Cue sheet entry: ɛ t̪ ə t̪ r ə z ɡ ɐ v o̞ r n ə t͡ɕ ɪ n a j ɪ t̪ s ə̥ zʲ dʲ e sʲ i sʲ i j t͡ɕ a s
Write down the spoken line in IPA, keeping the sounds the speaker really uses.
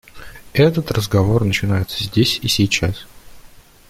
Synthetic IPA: ɛ t̪ ə t̪ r ə z ɡ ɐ v o̞ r n ə t͡ɕ ɪ n a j ɪ t̪ s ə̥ zʲ dʲ e sʲ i sʲ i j t͡ɕ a s